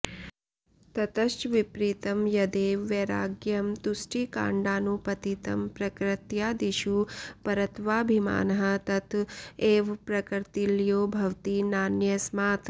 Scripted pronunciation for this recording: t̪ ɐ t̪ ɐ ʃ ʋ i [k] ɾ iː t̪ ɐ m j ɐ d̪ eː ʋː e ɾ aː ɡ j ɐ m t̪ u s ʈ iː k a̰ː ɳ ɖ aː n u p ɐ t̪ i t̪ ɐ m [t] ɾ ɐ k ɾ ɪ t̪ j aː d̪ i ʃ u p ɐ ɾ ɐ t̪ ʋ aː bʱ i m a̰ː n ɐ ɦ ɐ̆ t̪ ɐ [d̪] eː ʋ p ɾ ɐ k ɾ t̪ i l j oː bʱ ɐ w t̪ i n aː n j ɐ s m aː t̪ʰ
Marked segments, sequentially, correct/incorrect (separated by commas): incorrect, incorrect, incorrect